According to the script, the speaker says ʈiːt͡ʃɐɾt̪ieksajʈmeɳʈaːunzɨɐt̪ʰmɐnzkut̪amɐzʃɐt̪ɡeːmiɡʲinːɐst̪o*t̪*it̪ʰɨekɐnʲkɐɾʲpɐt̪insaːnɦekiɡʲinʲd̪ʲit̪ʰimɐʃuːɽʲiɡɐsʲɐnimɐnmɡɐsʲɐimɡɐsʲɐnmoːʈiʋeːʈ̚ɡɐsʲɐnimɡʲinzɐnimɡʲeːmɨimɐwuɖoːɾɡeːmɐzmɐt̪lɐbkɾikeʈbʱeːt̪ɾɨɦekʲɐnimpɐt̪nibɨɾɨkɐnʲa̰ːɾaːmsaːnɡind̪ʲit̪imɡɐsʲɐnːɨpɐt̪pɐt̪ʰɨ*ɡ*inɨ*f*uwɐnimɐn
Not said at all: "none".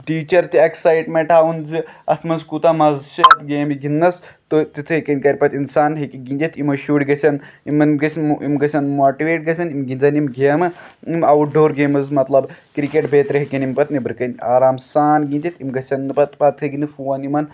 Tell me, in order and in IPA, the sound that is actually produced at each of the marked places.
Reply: t̪, ɡ, f

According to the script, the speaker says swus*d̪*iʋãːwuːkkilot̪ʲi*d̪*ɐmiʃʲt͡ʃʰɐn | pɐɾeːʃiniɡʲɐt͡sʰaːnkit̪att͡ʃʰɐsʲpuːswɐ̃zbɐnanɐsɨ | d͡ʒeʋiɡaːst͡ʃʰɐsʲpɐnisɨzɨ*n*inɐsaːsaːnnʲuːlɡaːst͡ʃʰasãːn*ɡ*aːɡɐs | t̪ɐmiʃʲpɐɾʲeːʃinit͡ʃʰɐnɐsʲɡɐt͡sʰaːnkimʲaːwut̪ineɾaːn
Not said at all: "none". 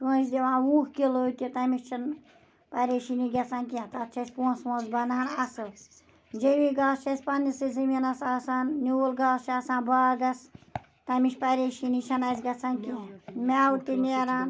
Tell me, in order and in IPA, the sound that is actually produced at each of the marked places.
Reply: d̪, t̪, m, b

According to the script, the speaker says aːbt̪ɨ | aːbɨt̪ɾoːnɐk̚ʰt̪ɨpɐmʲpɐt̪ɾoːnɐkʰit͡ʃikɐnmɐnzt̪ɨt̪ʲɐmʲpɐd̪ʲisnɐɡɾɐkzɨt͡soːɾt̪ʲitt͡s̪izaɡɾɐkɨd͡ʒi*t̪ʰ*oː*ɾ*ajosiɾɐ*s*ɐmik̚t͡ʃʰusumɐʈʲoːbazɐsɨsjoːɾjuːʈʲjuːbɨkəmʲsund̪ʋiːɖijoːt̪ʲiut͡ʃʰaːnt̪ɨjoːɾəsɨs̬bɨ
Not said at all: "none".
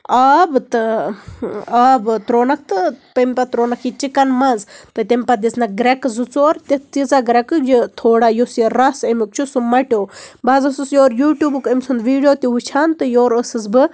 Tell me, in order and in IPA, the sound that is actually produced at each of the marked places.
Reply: t̪ʰ, ɽ, s

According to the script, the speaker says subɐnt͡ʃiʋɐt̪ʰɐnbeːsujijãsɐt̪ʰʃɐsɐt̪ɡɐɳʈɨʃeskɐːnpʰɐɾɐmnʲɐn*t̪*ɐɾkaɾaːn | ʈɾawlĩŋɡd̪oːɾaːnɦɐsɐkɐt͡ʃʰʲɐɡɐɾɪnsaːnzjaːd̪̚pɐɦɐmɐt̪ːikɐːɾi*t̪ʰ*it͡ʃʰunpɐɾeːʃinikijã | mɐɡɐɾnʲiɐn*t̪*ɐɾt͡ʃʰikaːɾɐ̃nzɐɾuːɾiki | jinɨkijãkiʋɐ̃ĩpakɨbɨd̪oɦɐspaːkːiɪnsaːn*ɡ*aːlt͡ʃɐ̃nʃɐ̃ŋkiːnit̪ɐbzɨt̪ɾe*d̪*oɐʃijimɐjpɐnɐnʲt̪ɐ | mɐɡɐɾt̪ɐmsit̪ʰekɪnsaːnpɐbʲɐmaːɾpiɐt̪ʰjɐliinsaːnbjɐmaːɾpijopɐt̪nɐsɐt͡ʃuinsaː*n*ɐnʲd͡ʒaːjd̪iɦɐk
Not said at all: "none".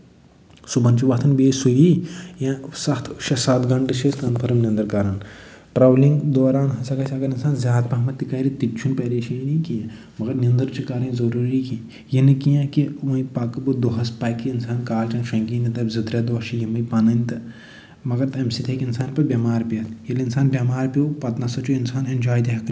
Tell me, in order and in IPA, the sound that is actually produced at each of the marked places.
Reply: d̪, t̪, d̪, k, d̪, n

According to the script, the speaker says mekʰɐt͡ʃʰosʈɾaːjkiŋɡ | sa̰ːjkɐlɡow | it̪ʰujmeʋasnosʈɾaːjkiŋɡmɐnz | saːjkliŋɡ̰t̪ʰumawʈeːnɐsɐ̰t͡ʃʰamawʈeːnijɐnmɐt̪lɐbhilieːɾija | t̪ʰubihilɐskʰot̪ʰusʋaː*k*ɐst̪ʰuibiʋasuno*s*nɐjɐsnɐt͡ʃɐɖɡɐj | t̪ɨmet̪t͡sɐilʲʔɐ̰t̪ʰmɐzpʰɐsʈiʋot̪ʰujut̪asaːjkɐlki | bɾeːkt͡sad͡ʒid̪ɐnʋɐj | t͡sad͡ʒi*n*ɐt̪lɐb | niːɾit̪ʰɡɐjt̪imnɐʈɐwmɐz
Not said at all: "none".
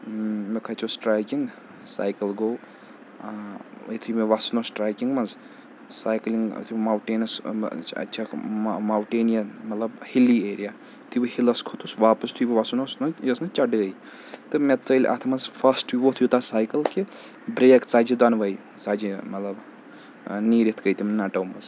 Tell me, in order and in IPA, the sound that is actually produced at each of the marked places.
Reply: p, s, m

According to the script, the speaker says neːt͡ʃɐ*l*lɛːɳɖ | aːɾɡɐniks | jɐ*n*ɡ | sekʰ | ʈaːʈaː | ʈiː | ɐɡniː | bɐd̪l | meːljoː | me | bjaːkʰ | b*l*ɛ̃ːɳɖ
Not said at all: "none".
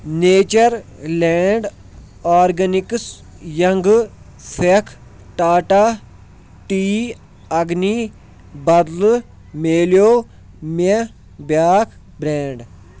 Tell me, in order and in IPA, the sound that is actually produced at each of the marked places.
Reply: ɾ, ŋ, ɾ

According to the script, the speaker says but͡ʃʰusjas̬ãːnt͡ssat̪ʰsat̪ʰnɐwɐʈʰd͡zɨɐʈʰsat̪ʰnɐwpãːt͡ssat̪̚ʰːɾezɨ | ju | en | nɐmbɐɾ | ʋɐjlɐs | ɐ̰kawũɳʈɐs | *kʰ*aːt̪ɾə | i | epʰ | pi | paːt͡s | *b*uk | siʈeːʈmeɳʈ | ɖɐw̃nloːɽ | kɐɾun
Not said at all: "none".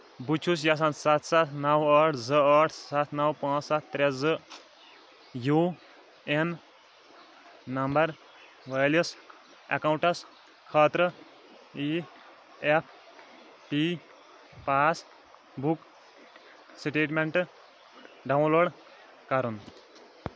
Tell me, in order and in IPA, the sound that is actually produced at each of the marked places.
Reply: kʰ, b

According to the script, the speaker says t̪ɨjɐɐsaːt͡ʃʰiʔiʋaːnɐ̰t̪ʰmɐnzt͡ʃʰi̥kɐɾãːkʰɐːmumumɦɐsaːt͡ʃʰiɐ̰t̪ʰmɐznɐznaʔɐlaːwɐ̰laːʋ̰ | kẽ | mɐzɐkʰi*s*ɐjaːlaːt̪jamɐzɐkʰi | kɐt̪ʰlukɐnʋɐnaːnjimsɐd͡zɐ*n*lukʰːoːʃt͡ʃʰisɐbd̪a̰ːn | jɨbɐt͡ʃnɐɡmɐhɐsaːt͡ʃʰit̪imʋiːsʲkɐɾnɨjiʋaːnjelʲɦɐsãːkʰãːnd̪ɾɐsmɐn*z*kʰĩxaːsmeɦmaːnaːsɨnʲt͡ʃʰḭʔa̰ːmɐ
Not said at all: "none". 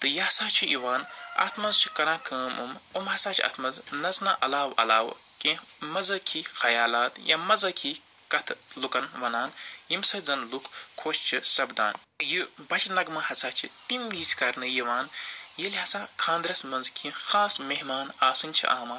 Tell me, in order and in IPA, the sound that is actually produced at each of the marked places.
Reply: x, n, z

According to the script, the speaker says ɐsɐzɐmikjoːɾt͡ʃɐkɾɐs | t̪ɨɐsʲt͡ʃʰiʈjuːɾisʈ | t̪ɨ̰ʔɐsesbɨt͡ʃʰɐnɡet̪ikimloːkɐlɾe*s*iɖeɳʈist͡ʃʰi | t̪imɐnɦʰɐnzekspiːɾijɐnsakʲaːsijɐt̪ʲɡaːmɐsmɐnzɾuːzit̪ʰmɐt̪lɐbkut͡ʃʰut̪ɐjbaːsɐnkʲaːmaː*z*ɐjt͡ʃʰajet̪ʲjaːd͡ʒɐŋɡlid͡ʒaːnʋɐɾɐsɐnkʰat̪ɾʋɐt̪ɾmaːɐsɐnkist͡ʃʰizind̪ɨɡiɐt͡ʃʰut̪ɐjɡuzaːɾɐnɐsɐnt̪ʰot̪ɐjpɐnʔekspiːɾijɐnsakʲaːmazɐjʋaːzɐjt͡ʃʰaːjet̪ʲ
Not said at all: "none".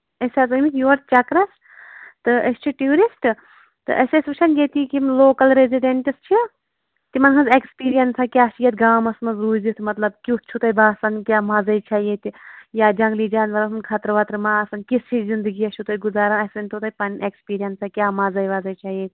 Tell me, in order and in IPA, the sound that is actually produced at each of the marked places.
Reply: z, z

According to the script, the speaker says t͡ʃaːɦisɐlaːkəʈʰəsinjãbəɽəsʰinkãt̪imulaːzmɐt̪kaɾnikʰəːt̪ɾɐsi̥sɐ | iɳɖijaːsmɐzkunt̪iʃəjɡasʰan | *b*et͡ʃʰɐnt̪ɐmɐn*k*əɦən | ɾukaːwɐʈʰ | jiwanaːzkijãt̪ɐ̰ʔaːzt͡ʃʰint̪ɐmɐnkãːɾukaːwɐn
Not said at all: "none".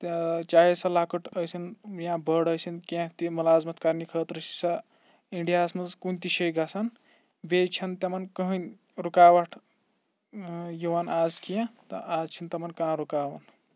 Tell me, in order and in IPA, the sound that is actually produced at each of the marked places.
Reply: b, k

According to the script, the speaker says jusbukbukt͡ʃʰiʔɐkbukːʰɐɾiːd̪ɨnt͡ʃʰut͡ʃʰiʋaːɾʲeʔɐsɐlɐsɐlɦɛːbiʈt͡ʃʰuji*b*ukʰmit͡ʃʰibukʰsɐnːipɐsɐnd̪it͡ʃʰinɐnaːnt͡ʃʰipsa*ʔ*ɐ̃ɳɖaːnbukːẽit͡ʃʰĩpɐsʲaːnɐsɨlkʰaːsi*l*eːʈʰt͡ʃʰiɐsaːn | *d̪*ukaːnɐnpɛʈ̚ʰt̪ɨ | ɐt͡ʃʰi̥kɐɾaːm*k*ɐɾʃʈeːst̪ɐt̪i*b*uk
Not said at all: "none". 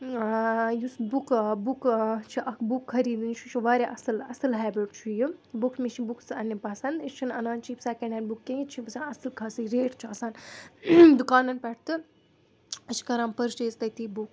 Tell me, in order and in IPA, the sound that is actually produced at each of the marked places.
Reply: b, k, ɾ, d̪, p, b

